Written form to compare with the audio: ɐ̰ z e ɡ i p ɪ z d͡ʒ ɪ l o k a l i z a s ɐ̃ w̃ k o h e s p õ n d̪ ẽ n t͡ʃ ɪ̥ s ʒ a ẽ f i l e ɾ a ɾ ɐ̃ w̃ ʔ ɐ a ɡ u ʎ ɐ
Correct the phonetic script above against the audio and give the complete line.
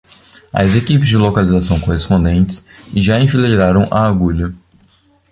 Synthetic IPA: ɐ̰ z e k i p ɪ z d͡ʒ ɪ l o k a l i z a s ɐ̃ w̃ k o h e s p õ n d̪ ẽ n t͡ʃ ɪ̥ s ʒ a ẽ f i l e ɾ a ɾ ɐ̃ w̃ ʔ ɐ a ɡ u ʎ ɐ